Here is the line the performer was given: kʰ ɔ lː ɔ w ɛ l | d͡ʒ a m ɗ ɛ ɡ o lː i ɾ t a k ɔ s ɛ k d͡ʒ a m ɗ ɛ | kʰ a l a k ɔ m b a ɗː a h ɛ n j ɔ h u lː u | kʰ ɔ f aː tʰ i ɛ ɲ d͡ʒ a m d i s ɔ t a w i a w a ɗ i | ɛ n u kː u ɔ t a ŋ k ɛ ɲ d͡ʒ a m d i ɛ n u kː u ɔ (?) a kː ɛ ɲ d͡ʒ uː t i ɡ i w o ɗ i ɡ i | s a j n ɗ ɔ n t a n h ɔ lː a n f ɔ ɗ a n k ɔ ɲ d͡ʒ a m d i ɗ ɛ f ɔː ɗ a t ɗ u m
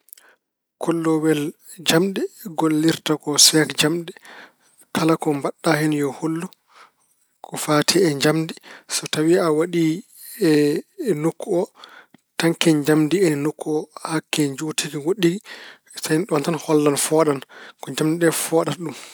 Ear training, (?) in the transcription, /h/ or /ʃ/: h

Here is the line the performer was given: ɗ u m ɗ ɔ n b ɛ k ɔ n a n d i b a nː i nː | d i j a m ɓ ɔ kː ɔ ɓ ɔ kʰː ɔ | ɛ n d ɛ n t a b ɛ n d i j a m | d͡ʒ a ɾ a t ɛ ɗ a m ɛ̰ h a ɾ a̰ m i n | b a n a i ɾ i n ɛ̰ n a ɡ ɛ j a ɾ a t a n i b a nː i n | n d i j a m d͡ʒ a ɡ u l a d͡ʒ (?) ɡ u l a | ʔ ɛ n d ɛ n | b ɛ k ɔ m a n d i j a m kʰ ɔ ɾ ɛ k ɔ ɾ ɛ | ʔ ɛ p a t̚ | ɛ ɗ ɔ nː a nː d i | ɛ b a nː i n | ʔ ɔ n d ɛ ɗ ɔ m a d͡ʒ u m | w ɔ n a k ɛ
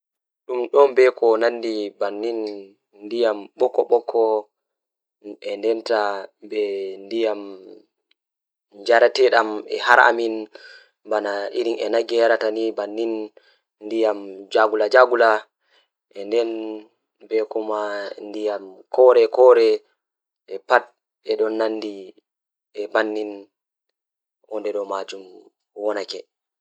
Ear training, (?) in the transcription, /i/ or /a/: a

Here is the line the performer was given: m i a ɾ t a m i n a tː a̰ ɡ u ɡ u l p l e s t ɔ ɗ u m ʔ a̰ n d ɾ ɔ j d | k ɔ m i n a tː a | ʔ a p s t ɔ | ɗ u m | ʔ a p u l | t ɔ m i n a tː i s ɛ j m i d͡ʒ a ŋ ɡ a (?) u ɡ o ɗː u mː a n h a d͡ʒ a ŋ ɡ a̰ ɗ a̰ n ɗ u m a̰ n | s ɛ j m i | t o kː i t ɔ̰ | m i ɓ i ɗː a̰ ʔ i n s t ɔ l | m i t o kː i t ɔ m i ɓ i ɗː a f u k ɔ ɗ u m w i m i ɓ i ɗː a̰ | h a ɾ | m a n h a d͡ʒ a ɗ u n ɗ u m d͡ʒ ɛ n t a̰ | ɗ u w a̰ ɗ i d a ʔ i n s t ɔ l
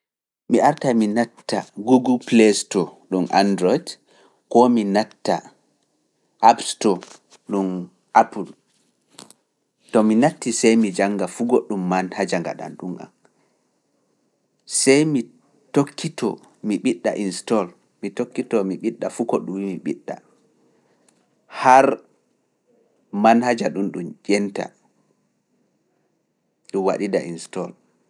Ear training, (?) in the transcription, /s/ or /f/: f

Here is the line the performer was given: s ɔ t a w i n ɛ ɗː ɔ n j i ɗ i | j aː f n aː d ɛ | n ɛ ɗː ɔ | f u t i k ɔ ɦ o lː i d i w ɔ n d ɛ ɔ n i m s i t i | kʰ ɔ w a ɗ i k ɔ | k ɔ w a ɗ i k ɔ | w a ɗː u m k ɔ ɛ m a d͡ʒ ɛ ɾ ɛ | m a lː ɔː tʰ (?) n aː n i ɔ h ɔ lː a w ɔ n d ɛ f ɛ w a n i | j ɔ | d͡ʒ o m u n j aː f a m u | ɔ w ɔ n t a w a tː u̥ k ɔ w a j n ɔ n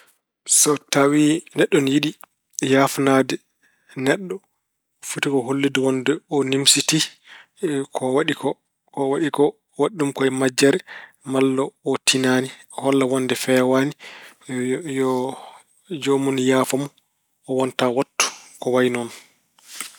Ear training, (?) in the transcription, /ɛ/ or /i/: i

